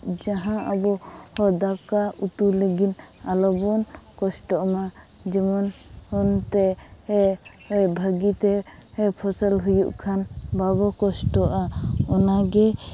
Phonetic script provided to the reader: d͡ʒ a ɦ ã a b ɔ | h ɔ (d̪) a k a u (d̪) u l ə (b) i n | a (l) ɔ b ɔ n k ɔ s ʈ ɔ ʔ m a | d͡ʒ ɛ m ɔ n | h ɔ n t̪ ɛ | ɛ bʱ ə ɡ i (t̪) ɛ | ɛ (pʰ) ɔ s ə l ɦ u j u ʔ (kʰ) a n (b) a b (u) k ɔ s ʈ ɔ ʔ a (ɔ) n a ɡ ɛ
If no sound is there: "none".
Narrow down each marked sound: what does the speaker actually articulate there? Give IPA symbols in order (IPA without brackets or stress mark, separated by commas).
d̪, t̪, ɡ, l, t̪, pʰ, kʰ, b, ɔ, ɔ